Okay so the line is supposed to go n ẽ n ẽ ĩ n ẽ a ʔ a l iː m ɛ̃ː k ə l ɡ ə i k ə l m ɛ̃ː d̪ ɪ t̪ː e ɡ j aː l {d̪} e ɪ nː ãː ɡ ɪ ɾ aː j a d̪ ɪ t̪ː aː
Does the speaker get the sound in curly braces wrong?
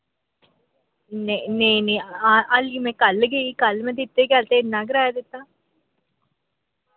yes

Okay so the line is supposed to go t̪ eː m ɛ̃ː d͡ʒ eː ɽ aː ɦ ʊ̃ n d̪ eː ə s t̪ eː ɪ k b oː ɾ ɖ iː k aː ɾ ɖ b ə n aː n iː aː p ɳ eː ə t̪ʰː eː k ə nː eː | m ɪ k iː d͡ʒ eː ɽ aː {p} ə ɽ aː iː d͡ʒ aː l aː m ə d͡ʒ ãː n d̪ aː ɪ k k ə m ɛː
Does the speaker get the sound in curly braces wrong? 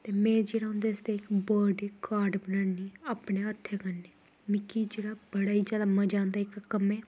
yes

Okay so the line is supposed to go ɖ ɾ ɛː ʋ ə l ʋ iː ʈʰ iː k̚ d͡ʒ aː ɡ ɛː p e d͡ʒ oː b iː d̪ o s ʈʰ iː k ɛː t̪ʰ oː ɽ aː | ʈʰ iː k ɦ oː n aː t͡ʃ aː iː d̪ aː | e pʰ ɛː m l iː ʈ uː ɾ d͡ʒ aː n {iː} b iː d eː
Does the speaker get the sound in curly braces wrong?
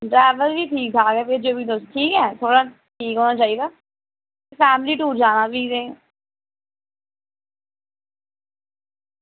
yes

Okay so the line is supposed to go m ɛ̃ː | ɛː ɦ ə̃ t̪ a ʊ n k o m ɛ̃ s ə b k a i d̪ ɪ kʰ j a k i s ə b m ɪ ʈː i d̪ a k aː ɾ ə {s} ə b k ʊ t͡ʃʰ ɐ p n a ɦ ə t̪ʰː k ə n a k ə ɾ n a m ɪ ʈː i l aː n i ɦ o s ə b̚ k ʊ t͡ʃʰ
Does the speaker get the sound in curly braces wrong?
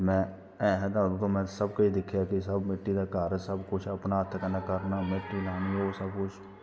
no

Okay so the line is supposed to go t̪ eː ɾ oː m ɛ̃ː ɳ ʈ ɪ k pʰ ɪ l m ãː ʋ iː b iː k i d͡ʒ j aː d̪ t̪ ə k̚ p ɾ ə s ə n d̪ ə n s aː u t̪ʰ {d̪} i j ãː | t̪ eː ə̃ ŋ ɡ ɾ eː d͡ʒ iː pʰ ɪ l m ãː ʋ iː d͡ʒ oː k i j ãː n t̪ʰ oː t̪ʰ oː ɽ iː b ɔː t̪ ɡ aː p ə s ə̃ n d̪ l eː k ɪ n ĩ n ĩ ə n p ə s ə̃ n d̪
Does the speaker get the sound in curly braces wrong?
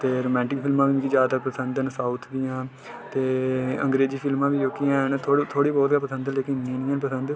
no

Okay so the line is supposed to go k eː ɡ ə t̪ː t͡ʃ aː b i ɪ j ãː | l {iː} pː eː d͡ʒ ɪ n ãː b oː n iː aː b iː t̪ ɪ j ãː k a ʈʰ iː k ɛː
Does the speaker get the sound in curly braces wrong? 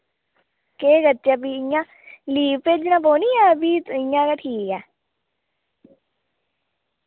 no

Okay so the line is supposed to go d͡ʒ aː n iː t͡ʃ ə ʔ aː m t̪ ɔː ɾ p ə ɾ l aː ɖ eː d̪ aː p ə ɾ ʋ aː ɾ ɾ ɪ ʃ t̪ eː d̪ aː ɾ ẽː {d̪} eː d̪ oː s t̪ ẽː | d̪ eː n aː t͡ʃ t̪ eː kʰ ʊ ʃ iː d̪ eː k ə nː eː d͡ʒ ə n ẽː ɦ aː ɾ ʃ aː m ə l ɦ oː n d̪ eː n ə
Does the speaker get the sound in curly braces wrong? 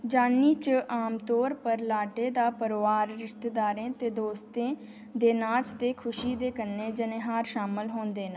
yes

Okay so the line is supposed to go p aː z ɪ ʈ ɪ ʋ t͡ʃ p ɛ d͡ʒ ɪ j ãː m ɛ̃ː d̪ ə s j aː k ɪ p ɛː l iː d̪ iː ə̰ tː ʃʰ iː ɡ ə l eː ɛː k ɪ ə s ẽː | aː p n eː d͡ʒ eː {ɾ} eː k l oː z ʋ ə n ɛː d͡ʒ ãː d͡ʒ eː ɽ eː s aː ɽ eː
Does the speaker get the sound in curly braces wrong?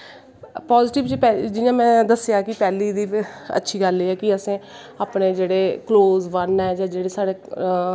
yes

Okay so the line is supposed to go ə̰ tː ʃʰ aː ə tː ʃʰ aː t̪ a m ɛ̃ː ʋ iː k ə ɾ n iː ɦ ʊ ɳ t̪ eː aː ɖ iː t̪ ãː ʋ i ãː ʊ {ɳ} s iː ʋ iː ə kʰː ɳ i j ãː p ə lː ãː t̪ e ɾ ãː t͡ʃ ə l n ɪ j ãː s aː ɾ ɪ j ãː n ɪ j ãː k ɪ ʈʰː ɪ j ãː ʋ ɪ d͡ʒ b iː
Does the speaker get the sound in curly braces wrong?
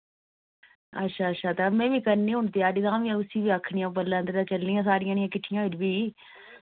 yes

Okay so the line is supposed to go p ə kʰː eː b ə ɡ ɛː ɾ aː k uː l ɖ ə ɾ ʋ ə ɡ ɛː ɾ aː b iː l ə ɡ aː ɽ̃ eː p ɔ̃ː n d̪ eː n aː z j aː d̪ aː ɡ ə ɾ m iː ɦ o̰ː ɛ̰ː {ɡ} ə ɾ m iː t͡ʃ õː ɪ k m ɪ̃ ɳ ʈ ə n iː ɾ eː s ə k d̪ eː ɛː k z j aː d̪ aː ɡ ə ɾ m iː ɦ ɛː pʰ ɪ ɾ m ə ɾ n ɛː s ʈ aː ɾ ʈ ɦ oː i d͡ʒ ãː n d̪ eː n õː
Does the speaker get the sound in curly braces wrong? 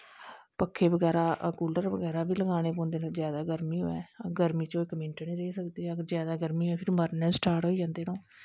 no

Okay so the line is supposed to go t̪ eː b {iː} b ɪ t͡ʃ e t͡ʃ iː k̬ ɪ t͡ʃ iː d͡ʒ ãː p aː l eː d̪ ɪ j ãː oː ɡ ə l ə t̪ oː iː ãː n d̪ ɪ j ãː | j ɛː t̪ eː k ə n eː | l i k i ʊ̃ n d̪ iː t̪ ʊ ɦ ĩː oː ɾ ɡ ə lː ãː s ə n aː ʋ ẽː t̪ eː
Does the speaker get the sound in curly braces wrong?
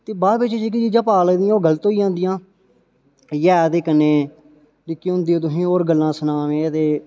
yes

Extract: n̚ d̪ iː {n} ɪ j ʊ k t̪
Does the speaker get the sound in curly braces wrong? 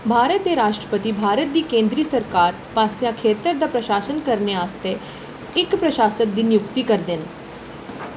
no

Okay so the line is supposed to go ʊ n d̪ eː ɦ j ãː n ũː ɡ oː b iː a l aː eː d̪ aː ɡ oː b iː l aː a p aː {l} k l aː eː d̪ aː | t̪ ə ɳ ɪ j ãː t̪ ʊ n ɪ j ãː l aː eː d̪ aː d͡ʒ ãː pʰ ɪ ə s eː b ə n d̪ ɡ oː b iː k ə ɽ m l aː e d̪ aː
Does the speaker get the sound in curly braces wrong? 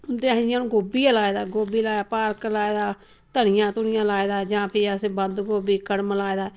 yes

